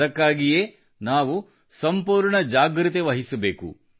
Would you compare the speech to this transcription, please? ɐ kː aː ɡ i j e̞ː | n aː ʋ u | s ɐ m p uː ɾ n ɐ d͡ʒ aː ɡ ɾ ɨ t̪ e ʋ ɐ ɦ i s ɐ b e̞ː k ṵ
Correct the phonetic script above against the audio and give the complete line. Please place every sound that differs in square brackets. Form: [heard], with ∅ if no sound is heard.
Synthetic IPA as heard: ɐ kː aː ɡ i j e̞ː | n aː ʋ u | s ɐ m p uː ɾ [ɳ] ɐ d͡ʒ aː ɡ ɾ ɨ t̪ e ʋ ɐ ɦ i s ɐ b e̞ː k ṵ